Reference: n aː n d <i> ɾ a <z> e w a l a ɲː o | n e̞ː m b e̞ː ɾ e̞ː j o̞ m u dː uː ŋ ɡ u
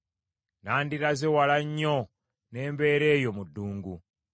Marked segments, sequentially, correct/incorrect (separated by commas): correct, correct